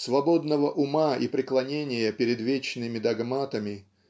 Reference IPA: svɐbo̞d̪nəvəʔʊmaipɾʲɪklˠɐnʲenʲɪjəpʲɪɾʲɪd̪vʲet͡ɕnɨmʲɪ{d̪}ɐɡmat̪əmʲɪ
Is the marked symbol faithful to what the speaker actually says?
yes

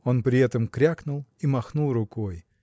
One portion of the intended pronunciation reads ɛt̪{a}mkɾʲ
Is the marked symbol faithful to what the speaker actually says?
no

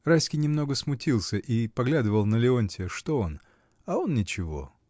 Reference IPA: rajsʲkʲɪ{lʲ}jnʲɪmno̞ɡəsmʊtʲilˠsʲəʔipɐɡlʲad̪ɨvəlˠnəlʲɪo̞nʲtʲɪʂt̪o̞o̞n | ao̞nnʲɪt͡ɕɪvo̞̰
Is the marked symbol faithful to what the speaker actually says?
no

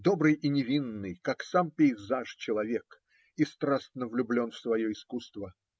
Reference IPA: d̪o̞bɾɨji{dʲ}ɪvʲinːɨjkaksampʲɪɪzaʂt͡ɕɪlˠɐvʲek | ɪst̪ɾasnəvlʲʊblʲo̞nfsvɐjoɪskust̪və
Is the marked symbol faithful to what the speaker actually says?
no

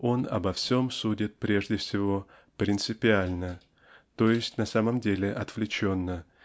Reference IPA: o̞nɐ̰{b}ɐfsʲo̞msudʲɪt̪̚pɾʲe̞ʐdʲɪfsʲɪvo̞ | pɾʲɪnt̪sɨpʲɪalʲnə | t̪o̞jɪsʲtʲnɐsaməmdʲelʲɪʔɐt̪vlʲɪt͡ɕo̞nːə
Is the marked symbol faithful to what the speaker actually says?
yes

